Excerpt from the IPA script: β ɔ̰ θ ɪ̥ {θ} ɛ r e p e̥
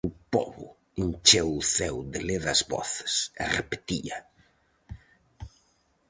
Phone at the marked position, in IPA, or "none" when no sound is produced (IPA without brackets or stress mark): s